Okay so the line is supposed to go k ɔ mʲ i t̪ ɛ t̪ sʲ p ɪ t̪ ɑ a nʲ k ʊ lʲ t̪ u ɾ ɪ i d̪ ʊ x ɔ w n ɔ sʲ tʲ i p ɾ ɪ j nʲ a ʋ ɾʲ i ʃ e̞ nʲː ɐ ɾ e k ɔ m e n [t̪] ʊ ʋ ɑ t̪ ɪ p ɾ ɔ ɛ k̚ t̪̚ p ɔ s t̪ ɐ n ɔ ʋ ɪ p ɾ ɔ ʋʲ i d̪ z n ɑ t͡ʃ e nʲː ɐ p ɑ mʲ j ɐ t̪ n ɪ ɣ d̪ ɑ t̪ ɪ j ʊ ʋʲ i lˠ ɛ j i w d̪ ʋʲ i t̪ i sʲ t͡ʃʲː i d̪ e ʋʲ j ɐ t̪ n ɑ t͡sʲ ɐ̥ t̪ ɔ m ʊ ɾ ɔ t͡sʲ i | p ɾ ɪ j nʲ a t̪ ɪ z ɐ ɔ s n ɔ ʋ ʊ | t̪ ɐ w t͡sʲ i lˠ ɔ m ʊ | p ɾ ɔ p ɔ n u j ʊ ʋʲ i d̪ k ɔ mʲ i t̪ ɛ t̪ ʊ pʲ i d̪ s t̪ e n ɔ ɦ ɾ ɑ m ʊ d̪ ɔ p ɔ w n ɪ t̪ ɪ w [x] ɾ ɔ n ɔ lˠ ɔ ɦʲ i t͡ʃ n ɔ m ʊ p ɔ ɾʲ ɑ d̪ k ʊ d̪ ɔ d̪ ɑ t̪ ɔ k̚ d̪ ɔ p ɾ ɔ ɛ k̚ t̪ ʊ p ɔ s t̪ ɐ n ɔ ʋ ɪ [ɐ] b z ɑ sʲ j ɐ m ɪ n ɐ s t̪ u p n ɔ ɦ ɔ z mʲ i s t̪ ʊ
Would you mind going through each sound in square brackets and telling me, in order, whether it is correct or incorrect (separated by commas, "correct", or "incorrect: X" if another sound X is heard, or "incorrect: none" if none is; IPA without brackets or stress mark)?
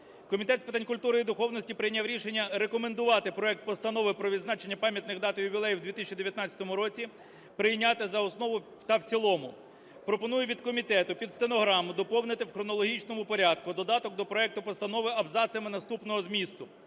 incorrect: d̪, correct, correct